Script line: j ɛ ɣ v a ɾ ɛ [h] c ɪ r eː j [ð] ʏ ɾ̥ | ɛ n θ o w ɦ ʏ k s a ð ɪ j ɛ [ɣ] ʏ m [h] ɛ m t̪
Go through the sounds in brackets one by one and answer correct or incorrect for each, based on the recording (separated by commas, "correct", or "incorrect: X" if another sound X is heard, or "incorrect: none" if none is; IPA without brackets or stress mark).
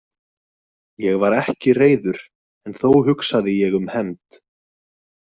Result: correct, correct, correct, correct